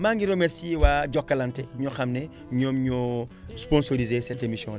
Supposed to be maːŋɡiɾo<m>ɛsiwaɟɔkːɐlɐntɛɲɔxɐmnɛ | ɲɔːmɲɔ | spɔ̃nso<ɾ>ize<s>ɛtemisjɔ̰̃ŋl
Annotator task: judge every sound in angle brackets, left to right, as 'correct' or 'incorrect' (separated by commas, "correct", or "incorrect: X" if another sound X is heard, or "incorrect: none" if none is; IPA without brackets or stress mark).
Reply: correct, correct, correct